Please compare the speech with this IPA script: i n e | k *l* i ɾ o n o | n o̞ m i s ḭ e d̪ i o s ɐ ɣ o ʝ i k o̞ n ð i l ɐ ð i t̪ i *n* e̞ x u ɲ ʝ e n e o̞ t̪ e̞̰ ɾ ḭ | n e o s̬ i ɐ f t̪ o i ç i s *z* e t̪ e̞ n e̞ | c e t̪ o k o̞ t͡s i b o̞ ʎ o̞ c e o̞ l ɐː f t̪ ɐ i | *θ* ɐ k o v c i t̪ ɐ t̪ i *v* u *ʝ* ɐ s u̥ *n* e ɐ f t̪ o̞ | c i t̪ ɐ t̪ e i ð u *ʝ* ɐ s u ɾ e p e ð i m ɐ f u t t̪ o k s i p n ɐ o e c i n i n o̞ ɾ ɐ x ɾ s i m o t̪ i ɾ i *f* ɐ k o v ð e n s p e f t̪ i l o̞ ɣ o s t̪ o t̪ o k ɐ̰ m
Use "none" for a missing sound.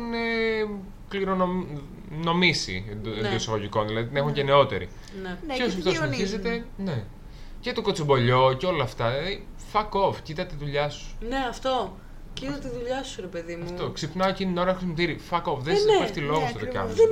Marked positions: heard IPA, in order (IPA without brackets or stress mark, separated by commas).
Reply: l, n, z, f, ð, ʎ, n, ʎ, f